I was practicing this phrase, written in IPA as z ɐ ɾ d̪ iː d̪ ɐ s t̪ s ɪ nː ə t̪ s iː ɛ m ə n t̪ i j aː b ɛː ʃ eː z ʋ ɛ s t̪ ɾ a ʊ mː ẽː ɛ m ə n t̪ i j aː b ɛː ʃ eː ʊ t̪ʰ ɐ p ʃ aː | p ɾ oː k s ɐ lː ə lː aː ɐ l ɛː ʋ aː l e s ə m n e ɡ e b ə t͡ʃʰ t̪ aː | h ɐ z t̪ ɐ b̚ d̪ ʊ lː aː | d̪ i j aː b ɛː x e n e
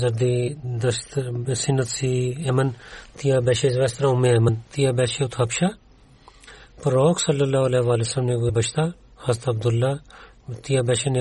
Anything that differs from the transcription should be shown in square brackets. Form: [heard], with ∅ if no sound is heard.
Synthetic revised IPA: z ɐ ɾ d̪ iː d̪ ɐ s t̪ s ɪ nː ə t̪ s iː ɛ m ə n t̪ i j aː b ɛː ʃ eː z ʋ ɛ s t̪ ɾ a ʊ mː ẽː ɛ m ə n t̪ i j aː b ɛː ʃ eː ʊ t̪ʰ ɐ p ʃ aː | p ɾ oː k s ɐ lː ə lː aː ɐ l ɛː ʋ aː l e s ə m n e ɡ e b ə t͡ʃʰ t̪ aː | h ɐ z t̪ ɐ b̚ d̪ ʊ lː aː | [t̪] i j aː b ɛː [ʃ] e n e